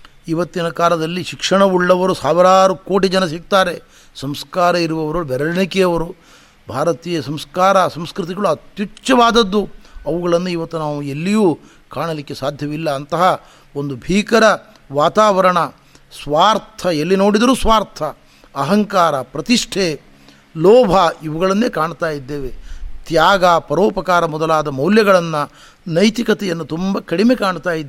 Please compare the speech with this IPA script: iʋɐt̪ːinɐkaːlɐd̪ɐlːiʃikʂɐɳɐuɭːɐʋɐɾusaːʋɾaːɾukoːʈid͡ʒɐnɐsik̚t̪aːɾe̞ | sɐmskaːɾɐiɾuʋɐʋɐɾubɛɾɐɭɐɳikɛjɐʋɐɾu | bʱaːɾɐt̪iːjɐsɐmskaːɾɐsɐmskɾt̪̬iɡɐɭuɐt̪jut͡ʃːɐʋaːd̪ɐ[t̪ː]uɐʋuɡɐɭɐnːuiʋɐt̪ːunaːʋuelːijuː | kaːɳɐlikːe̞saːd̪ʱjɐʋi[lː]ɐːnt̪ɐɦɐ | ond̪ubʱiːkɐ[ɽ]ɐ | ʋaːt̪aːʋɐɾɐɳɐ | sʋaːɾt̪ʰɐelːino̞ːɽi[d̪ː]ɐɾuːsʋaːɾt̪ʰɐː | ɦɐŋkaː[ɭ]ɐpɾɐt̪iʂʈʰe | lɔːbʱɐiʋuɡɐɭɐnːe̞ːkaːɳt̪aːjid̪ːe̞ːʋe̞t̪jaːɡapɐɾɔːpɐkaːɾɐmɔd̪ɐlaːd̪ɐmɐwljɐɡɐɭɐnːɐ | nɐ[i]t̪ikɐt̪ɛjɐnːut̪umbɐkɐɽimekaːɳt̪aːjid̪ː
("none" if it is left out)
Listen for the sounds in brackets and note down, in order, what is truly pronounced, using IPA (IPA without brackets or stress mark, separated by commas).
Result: d̪ː, lː, ɾ, d̪, ɾ, j